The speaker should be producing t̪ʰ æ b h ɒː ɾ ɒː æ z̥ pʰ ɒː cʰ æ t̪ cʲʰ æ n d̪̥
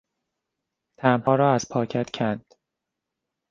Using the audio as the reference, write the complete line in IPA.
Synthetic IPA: t̪ʰ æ m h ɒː ɾ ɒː æ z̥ pʰ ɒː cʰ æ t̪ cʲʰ æ n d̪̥